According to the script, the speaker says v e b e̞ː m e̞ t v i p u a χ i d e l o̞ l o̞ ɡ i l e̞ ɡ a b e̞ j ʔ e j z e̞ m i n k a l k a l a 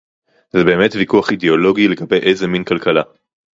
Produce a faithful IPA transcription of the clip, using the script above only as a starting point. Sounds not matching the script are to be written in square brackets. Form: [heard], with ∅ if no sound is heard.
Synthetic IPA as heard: [z] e b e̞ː m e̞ t v i [k] u a χ i d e [∅] o̞ l o̞ ɡ i l e̞ ɡ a b e̞ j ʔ e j z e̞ m i n k a l k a l a

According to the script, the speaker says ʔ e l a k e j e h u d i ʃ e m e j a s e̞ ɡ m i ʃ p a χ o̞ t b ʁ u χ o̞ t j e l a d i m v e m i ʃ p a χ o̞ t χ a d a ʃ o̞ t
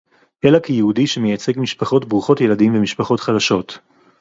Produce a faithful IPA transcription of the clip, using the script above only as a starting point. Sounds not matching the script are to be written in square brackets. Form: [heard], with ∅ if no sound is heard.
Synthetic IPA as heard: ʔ e l a k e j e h u d i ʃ e m e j a [t͡s] e̞ ɡ m i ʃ p a χ o̞ t b ʁ u χ o̞ t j e l a d i m v e m i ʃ p a χ o̞ t χ a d a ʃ o̞ t

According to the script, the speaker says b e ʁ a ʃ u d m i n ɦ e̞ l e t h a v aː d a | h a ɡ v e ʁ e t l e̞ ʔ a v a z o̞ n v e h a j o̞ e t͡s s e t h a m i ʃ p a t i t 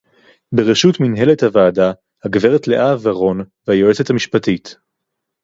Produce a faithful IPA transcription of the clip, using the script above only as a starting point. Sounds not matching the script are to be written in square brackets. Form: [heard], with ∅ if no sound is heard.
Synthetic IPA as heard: b e ʁ [e] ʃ u [t] m i n ɦ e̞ l e t h a v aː d a | h a ɡ v e ʁ e t l e̞ ʔ a v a [ʁ] o̞ n v e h a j o̞ e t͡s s e t h a m i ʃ p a t i t

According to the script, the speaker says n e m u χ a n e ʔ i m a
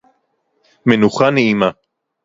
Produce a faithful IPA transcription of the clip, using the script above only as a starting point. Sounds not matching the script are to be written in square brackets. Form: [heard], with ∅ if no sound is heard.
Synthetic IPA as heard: [m] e [n] u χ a n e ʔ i m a

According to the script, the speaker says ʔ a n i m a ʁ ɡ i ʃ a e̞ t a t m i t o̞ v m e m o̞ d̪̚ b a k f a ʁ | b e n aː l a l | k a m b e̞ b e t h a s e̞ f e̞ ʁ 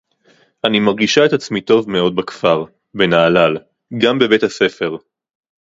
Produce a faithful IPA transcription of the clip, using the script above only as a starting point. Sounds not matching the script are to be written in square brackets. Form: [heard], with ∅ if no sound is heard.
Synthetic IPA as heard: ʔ a n i m a ʁ ɡ i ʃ a e̞ t a [t͡s] m i t o̞ v m e [∅] o̞ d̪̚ b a k f a ʁ | b e n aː l a l | [ɡ] a m b e̞ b e t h a s e̞ f e̞ ʁ

